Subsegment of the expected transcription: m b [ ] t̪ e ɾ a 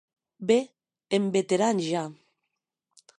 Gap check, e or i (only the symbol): e